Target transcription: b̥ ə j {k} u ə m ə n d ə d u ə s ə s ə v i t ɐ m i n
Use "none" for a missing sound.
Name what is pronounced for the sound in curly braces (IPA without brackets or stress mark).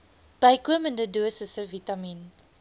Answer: k